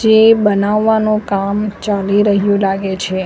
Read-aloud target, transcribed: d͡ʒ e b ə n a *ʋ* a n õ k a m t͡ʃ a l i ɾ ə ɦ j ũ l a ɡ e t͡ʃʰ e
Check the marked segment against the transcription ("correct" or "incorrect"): incorrect